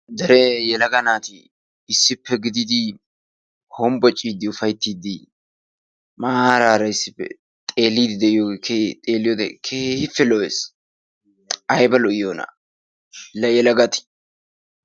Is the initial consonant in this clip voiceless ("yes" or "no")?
no